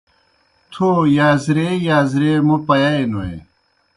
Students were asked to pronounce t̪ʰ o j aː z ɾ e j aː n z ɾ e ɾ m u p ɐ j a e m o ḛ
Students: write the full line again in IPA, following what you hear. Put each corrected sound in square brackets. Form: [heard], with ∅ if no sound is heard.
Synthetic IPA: t̪ʰ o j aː z ɾ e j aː [∅] z ɾ e [∅] m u p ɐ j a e [n] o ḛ